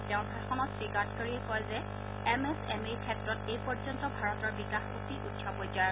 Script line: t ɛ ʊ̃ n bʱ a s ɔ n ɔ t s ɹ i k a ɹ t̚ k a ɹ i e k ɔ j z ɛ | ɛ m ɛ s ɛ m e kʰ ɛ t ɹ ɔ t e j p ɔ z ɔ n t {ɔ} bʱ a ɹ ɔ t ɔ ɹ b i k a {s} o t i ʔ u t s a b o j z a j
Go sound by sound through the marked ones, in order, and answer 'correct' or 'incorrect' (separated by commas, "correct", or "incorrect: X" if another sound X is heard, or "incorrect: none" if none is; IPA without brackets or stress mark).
correct, incorrect: x